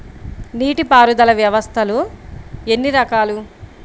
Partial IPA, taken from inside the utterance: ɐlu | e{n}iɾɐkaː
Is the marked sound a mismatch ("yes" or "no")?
yes